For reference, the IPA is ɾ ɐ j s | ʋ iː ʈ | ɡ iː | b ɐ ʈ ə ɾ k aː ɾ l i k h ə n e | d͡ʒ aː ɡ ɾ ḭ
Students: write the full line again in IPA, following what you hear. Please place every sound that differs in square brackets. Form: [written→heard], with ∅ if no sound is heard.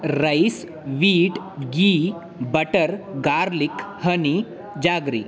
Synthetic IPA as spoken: ɾ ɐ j s | ʋ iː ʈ | ɡ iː | b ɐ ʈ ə ɾ [k→ɡ] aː ɾ l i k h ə n [e→i] | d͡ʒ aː ɡ ɾ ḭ